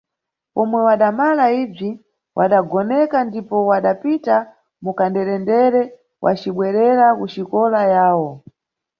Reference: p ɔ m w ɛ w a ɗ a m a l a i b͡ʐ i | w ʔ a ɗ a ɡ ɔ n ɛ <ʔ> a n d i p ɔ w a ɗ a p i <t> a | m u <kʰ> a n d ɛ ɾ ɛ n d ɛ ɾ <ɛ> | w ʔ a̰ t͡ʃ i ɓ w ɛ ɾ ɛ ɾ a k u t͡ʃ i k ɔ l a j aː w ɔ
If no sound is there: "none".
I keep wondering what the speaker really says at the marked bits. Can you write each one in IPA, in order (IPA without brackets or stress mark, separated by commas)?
k, t, k, ɛ